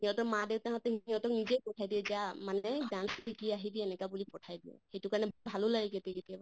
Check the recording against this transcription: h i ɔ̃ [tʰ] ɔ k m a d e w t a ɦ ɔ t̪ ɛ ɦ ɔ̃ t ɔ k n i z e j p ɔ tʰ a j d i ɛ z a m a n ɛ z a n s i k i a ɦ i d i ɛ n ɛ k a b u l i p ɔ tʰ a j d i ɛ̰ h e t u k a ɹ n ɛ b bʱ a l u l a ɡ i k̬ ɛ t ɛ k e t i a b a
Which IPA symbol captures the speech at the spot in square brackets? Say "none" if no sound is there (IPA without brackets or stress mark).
t